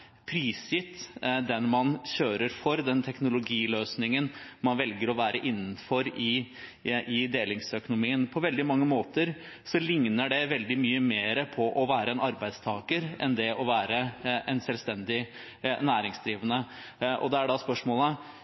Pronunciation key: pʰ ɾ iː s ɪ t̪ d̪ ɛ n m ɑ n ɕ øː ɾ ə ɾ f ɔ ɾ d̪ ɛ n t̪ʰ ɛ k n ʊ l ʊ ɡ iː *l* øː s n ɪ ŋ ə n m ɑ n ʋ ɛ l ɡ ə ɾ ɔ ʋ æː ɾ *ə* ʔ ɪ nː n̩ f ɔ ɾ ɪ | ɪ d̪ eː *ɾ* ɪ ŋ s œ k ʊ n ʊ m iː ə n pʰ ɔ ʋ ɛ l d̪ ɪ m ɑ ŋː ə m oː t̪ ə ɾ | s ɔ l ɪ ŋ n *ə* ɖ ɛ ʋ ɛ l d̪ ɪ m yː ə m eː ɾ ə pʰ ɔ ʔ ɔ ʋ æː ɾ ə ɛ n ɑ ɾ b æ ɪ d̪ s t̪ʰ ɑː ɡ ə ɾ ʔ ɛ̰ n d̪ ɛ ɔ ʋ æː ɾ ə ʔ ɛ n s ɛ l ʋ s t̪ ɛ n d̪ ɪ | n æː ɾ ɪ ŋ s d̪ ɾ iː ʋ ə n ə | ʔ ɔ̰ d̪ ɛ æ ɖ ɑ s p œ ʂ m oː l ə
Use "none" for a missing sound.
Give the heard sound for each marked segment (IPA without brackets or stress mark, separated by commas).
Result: l, ə, l, ə